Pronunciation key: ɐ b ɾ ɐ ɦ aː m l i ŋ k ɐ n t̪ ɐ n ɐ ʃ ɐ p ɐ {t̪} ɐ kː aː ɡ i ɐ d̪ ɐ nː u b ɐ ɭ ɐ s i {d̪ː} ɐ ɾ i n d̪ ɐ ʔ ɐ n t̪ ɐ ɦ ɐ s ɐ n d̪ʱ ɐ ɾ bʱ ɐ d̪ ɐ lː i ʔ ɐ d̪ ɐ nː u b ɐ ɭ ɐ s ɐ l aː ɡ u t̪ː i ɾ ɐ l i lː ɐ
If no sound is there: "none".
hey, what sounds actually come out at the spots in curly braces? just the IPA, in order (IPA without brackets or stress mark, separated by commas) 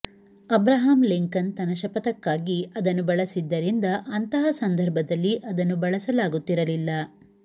t̪, d̪ː